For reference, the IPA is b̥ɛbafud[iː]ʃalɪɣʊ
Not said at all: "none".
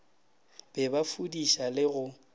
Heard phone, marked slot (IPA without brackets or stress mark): i